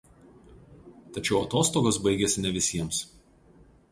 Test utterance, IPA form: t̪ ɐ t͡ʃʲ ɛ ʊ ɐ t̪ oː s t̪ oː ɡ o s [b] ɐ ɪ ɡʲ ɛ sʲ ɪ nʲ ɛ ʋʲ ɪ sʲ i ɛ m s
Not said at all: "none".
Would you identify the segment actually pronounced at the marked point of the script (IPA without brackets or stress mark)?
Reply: b